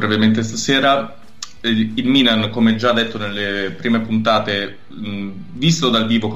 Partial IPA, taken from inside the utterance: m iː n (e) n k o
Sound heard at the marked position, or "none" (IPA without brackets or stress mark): a